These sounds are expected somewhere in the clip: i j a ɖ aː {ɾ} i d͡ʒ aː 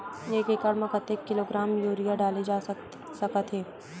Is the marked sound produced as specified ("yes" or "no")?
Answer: no